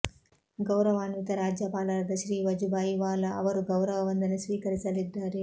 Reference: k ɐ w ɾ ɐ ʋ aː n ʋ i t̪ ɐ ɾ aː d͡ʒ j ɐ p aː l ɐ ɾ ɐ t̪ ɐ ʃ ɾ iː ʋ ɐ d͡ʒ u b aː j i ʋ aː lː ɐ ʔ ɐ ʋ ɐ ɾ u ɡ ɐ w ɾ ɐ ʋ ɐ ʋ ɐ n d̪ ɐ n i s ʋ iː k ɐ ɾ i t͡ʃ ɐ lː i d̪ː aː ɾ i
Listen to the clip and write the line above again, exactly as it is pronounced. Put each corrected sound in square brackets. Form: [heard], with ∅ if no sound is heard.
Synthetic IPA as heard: [ɡ] ɐ w ɾ ɐ ʋ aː n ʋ i t̪ ɐ ɾ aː d͡ʒ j ɐ p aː l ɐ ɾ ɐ [d̪] ɐ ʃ ɾ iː ʋ ɐ d͡ʒ u b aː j i ʋ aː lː ɐ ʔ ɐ ʋ ɐ ɾ u ɡ ɐ w ɾ ɐ ʋ ɐ ʋ ɐ n d̪ ɐ n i s ʋ iː k ɐ ɾ i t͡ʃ ɐ [l] i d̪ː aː ɾ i

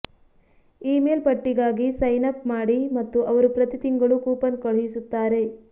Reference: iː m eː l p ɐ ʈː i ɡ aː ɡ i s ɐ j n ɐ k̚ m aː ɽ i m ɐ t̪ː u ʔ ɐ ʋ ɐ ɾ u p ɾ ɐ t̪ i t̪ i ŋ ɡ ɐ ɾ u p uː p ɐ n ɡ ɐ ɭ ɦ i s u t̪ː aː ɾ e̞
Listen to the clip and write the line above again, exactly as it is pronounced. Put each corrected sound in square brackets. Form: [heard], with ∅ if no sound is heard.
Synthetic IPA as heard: iː m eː l p ɐ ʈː i ɡ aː ɡ i s ɐ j n ɐ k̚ m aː ɽ i m ɐ t̪ː u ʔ ɐ ʋ ɐ ɾ u p ɾ ɐ t̪ i t̪ i ŋ ɡ ɐ [ɭ] u [k] uː p ɐ n [k] ɐ ɭ ɦ i s u t̪ː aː ɾ e̞

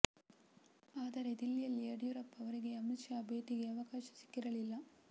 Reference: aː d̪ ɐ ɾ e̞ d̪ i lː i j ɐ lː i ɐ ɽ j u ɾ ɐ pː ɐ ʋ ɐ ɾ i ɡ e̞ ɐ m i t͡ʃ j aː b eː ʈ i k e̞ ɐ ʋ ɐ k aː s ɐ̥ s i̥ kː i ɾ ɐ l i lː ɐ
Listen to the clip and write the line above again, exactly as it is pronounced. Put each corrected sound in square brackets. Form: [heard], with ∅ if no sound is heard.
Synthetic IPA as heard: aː d̪ ɐ ɾ e̞ d̪ i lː i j ɐ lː i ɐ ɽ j u ɾ ɐ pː ɐ ʋ ɐ ɾ i ɡ e̞ ɐ m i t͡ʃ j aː b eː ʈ i [ɡ] e̞ ɐ ʋ ɐ k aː [ʃ] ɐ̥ s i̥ kː i ɾ ɐ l i lː ɐ

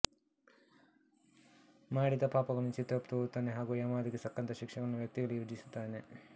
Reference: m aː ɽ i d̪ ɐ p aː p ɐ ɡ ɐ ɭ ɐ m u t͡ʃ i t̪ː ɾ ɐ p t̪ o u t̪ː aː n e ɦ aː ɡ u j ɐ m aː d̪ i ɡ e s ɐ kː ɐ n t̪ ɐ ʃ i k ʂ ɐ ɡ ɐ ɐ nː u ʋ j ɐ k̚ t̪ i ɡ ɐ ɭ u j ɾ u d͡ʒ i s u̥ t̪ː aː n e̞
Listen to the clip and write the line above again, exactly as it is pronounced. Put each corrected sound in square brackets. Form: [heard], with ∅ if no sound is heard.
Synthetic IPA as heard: m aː ɽ i d̪ ɐ p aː p ɐ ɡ ɐ ɭ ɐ [n] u t͡ʃ i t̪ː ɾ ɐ p t̪ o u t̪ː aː n e ɦ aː ɡ u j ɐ m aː d̪ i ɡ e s ɐ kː ɐ n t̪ ɐ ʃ i k ʂ ɐ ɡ ɐ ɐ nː u ʋ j ɐ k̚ t̪ i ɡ ɐ ɭ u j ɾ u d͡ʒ i s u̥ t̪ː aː n e̞

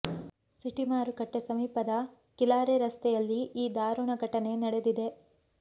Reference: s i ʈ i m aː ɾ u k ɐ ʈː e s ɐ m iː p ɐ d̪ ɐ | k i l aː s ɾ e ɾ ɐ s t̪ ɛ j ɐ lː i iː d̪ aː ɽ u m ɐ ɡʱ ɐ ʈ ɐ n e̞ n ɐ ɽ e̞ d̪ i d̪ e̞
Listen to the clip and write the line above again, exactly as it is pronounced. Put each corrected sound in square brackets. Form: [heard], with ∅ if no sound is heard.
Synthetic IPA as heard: s i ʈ i m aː ɾ u k ɐ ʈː e s ɐ m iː p ɐ d̪ ɐ | k i l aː [∅] ɾ e ɾ ɐ s t̪ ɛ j ɐ lː i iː d̪ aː [ɾ] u [ɳ] ɐ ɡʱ ɐ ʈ ɐ n e̞ n ɐ ɽ e̞ d̪ i d̪ e̞

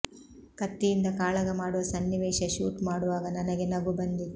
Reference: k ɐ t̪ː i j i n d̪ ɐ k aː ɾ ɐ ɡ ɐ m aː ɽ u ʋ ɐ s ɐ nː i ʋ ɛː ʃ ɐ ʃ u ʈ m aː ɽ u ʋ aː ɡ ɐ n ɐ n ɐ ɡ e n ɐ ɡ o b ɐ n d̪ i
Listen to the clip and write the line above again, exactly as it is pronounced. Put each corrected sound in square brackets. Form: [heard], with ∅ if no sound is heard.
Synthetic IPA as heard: k ɐ t̪ː i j i n d̪ ɐ k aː [ɭ] ɐ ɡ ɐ m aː ɽ u ʋ ɐ s ɐ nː i ʋ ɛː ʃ ɐ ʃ [uː] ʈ m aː ɽ u ʋ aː ɡ ɐ n ɐ n ɐ ɡ e n ɐ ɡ [u] b ɐ n d̪ i

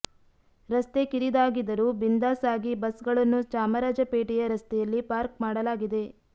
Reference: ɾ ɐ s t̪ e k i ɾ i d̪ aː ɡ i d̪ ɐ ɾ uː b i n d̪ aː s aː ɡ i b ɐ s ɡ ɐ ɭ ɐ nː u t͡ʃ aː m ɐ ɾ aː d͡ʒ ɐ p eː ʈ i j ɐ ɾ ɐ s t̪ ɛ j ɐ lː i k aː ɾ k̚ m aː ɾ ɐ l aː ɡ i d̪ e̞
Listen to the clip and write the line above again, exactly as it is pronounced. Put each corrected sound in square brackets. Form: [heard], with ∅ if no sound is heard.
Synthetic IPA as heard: ɾ ɐ s t̪ e k i ɾ i d̪ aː ɡ i d̪ ɐ ɾ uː b i n d̪ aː s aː ɡ i b ɐ s ɡ ɐ ɭ ɐ nː u t͡ʃ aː m ɐ ɾ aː d͡ʒ ɐ p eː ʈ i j ɐ ɾ ɐ s t̪ ɛ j ɐ lː i [p] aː ɾ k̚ m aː [ɽ] ɐ l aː ɡ i d̪ e̞

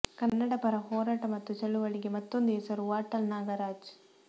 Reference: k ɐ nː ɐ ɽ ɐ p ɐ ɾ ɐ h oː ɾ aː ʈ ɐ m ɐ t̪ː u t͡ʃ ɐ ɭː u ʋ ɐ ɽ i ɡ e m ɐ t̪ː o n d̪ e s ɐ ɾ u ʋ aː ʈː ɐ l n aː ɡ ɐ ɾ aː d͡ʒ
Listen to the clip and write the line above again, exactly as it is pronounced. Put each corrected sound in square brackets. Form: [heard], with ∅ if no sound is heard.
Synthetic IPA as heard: k ɐ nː ɐ ɽ ɐ p ɐ ɾ ɐ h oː ɾ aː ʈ ɐ m ɐ t̪ː u t͡ʃ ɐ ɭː u ʋ ɐ [ɭ] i ɡ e m ɐ t̪ː o n d̪ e s ɐ ɾ u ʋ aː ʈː ɐ l n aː ɡ ɐ ɾ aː d͡ʒ

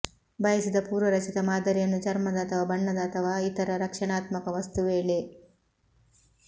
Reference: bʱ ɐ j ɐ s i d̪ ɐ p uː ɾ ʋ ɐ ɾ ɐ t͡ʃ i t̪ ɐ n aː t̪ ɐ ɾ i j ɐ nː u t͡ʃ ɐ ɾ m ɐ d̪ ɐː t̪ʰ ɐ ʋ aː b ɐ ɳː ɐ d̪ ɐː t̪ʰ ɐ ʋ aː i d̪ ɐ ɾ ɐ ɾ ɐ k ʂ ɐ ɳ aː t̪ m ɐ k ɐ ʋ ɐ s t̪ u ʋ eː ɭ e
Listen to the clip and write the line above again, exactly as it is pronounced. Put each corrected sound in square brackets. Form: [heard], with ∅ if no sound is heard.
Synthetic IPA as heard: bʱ ɐ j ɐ s i d̪ ɐ p uː ɾ ʋ ɐ ɾ ɐ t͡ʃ i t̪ ɐ [m] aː [d̪] ɐ ɾ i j ɐ nː u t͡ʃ ɐ ɾ m ɐ d̪ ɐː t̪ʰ ɐ ʋ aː b ɐ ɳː ɐ d̪ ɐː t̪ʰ ɐ ʋ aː i [t̪] ɐ ɾ ɐ ɾ ɐ k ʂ ɐ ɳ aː t̪ m ɐ k ɐ ʋ ɐ s t̪ u ʋ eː ɭ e

